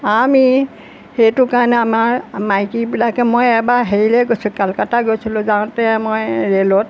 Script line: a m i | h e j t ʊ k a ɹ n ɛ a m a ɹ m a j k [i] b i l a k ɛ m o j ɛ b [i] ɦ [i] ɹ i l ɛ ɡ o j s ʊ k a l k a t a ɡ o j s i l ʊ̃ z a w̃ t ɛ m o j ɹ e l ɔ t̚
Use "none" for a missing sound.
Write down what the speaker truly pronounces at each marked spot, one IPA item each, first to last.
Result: i, a, e

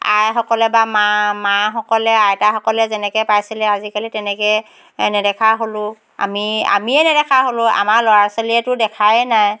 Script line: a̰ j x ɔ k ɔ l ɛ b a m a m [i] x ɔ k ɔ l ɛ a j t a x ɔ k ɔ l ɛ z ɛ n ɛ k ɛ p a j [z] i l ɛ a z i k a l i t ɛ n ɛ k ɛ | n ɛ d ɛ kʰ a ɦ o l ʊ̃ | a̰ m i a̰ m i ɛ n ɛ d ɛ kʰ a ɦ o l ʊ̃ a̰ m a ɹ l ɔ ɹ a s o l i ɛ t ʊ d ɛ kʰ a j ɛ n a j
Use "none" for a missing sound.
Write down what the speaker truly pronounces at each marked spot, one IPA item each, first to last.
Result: a, s

